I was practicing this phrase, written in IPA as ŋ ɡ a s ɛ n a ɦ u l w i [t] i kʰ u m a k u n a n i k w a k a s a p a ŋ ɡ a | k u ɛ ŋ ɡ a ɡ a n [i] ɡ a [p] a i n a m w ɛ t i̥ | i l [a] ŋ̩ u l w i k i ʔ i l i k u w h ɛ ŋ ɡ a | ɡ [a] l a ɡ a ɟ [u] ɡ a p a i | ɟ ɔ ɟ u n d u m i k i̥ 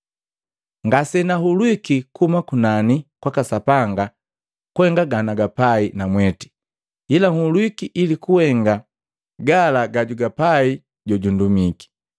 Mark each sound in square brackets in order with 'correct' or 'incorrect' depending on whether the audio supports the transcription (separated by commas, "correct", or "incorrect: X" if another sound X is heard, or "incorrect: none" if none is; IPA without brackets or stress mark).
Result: incorrect: k, incorrect: a, correct, correct, correct, correct